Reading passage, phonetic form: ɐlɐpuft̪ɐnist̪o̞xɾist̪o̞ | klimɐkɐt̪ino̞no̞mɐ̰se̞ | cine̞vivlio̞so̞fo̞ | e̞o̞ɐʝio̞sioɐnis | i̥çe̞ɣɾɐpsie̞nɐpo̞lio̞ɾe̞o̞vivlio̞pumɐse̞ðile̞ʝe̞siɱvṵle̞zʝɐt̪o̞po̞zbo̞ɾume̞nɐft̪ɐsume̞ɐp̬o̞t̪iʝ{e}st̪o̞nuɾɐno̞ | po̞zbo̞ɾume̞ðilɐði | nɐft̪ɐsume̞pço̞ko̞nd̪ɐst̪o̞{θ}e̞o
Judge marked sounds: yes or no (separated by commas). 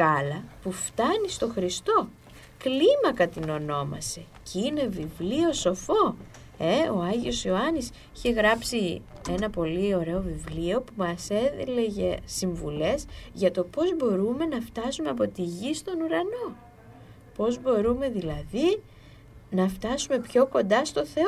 no, yes